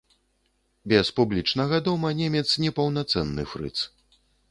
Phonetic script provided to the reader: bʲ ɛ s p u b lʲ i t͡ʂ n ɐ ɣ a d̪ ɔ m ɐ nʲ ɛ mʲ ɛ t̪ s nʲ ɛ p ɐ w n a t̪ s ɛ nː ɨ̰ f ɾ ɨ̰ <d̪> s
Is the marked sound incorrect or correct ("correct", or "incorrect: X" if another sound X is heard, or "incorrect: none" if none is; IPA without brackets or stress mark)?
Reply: incorrect: t̪